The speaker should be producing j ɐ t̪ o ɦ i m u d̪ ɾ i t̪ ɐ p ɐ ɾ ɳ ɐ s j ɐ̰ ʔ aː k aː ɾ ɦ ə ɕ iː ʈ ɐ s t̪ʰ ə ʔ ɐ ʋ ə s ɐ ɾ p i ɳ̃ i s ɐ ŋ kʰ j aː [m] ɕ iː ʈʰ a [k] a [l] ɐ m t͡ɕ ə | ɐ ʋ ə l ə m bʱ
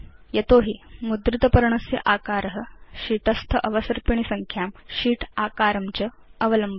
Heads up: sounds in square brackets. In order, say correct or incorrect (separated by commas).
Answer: correct, correct, incorrect